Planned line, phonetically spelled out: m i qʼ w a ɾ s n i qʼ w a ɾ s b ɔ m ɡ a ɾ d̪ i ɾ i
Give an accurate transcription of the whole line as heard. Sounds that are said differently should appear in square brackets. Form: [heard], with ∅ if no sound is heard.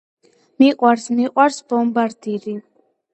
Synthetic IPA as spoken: m i qʼ w a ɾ s [m] i qʼ w a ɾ s b ɔ m [b] a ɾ d̪ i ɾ i